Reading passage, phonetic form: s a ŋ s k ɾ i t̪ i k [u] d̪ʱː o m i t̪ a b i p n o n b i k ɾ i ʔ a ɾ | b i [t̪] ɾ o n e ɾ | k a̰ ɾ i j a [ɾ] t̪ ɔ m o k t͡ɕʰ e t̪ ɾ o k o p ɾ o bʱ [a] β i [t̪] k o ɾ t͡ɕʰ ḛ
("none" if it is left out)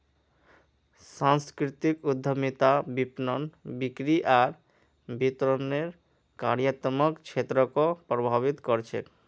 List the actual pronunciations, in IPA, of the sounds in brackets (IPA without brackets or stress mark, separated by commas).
u, t̪, none, a, t̪